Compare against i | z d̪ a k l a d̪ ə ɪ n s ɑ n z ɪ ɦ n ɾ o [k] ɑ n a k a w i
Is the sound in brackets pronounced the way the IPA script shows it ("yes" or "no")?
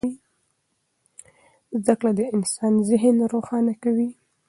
no